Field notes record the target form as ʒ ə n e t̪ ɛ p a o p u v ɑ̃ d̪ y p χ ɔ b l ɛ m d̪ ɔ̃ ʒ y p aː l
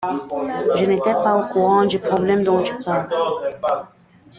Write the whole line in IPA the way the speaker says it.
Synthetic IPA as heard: ʒ ə n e t̪ ɛ p a o k u ʁ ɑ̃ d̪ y p χ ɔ b l ɛ m d̪ ɔ̃ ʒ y p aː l